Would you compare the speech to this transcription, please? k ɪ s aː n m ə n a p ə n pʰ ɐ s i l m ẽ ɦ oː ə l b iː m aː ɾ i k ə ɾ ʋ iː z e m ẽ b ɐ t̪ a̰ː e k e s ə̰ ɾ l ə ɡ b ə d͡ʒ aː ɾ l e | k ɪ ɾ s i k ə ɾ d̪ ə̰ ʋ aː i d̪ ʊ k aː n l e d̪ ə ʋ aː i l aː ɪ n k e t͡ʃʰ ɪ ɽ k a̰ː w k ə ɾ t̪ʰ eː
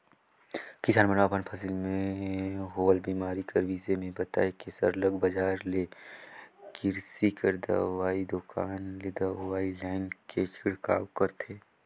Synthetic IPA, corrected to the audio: k ɪ s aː n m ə n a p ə n pʰ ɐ s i l m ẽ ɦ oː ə l b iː m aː ɾ i k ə ɾ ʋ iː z e m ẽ b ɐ t̪ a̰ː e k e s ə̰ ɾ l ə ɡ b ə d͡ʒ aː ɾ l e | k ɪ ɾ s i k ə ɾ d̪ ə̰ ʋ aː i d̪ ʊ k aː n l e d̪ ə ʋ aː i l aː ɪ n k e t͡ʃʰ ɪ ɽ k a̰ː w k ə ɾ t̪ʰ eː